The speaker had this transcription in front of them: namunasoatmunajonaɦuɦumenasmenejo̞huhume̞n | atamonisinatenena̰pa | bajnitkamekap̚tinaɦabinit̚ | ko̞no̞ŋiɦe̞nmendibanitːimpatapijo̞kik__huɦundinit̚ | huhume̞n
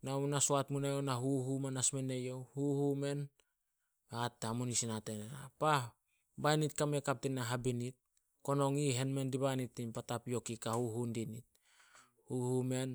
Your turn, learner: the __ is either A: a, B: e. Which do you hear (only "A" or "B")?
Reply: A